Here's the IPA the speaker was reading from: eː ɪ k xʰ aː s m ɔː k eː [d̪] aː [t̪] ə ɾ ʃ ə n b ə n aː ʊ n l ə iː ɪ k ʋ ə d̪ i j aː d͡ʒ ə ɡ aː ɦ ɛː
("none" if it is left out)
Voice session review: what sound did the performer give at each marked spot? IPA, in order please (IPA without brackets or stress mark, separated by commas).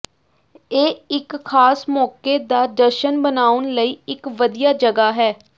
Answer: d̪, d̪